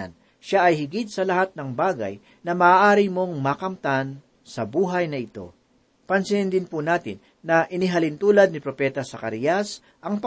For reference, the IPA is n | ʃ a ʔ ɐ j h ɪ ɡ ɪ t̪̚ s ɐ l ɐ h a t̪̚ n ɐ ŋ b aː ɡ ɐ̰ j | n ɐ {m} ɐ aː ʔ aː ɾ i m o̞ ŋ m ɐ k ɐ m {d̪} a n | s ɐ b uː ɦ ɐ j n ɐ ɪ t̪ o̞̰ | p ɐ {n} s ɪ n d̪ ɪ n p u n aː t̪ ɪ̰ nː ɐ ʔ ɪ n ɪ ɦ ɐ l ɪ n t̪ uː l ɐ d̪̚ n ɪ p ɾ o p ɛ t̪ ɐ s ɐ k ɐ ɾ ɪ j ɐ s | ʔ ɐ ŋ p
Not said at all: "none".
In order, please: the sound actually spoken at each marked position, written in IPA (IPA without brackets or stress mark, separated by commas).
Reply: m, t̪, n